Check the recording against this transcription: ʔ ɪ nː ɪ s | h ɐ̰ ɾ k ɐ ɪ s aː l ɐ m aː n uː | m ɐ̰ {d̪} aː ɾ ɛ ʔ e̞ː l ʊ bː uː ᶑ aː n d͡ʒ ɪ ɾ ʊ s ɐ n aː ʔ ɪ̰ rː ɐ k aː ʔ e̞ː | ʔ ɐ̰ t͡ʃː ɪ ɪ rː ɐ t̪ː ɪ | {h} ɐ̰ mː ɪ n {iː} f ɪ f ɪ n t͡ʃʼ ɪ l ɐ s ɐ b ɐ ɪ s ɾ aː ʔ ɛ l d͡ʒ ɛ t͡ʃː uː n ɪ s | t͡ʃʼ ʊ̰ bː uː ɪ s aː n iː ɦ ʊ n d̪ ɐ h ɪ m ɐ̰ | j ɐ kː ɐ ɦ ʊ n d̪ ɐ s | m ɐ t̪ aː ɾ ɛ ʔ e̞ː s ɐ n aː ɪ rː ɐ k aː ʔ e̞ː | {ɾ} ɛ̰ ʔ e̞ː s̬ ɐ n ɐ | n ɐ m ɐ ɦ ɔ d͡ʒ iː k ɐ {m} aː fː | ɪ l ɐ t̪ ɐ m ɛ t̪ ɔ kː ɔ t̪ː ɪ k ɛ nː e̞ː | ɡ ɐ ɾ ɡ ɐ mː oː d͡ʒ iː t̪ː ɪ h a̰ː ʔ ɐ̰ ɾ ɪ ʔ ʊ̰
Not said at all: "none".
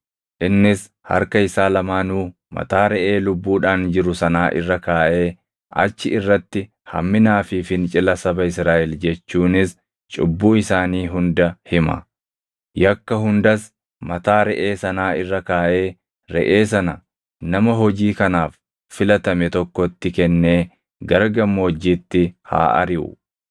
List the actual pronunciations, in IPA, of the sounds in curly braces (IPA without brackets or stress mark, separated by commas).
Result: t̪, h, aː, ɾ, n